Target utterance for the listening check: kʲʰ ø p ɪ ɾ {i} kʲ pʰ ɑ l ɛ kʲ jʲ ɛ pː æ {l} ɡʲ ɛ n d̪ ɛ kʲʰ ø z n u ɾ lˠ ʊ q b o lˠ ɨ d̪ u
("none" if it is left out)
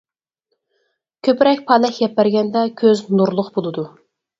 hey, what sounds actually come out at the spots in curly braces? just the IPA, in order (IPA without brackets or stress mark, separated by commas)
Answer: ɛ, ɾ